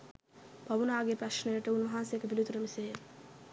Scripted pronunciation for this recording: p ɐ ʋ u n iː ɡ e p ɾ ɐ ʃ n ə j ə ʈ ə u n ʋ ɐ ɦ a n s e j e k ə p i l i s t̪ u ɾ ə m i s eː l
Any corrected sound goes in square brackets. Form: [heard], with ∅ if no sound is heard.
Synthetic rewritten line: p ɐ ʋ u n [aː] ɡ e p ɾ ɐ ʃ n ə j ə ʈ ə u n ʋ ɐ ɦ a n s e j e k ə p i l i [∅] t̪ u ɾ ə m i s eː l